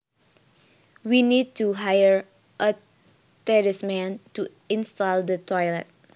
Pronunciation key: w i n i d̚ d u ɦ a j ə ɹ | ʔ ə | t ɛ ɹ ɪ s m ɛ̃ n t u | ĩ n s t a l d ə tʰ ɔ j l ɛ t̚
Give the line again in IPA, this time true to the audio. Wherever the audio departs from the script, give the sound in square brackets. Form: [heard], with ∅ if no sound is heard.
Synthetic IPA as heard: w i n i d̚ [t] u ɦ a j ə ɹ | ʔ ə | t ɛ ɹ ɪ s m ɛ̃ n t u | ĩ n s t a l d ə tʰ ɔ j l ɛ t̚